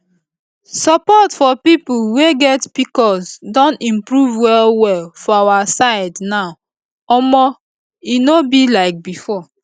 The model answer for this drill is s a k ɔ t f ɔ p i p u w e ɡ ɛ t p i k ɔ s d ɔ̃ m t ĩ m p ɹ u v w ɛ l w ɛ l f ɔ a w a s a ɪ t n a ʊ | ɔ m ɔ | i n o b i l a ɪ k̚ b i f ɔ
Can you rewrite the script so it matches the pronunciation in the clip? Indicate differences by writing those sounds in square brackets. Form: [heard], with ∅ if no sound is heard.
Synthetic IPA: s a [p] ɔ t f ɔ p i p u w e ɡ ɛ t p i k ɔ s d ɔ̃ [n] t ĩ m p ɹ u v w ɛ l w ɛ l f ɔ a w a s a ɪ [d] n a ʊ | ɔ m ɔ | i n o b i l a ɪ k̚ b i f ɔ

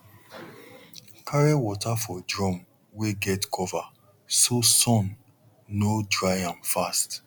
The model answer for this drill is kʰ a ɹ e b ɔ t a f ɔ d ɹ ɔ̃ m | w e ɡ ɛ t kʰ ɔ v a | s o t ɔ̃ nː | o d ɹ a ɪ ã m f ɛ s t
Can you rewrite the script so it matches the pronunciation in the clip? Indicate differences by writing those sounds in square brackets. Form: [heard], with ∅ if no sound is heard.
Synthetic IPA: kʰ a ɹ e [w] ɔ t a f ɔ d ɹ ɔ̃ m | w e ɡ ɛ t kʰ ɔ v a | s o [s] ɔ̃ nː | o d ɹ a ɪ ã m f [a] s t

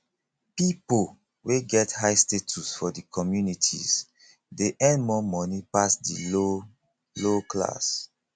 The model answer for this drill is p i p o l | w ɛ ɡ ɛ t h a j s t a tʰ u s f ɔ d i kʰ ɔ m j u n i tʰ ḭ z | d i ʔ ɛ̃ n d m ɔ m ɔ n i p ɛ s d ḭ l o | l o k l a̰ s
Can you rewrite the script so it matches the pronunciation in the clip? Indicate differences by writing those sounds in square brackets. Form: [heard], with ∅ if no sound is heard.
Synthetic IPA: p i p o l | w [e] ɡ ɛ t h a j s t [e] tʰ u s f ɔ d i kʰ ɔ m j u n i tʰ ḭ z | d [e] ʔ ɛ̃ n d m ɔ m ɔ n i p [a] s d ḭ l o | l o k l a̰ s

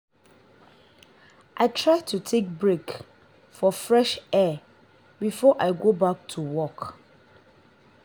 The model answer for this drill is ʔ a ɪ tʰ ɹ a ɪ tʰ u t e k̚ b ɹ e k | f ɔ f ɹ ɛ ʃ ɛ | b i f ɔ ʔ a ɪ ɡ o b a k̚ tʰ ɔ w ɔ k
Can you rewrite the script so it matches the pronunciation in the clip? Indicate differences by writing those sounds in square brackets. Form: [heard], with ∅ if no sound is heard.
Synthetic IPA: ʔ a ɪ tʰ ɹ a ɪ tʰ u [tʰ] e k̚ b ɹ e k | f ɔ f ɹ ɛ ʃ ɛ | b i f ɔ ʔ a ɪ ɡ o b a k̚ tʰ [u] w ɔ k

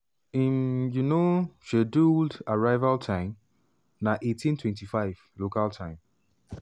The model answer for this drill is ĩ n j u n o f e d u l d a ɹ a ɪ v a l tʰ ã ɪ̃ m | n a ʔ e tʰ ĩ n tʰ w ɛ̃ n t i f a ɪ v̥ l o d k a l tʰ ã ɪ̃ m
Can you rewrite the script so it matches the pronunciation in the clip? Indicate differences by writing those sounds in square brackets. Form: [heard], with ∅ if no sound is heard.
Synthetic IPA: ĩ n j u n o [ʃ] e d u l d a ɹ a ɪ v a l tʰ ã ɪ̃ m | n a ʔ e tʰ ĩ n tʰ w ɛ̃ n t i f a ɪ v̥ l o [∅] k a l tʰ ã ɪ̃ m

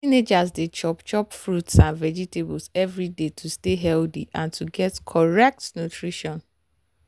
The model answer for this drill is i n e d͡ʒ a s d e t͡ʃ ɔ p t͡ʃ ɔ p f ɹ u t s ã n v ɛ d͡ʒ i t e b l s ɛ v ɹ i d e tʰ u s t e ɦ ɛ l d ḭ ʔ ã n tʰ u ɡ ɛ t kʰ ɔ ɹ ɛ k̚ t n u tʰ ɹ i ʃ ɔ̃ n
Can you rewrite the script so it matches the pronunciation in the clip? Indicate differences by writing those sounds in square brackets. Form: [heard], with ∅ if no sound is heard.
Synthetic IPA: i n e d͡ʒ a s d e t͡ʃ ɔ p t͡ʃ ɔ p f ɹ u t s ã n v ɛ d͡ʒ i t e b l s ɛ v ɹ i d e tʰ u s t e ɦ ɛ l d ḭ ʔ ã n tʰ u ɡ ɛ t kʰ ɔ ɹ ɛ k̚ t n u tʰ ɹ i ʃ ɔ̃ n

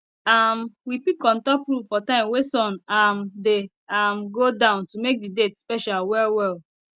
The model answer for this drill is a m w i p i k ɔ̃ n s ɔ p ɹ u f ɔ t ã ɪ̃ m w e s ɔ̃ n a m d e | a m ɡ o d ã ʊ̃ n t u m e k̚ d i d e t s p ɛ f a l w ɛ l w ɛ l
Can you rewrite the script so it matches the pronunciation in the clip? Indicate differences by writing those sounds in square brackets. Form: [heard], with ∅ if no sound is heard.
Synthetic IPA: a m w i p i k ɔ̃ n [t] ɔ p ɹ u f ɔ t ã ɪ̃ m w e s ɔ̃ n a m d e | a m ɡ o d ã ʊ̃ n t u m e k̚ d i d e t s p ɛ [ʃ] a l w ɛ l w ɛ l

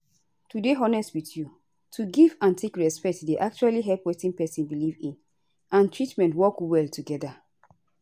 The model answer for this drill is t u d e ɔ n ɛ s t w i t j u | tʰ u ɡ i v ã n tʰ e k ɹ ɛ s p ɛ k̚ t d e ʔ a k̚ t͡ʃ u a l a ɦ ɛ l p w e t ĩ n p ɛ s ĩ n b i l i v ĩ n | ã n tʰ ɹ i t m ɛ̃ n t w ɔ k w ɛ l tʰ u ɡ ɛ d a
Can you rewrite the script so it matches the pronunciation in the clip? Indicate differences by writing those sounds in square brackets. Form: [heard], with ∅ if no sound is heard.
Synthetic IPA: t u d e ɔ n ɛ s t w i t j u | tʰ u ɡ i v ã n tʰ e k ɹ ɛ s p ɛ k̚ t d e ʔ a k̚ t͡ʃ u a l [i] ɦ ɛ l p w e t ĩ n p ɛ s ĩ n b i l i v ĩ n | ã n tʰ ɹ i t m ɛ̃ n t w ɔ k w ɛ l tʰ u ɡ ɛ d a

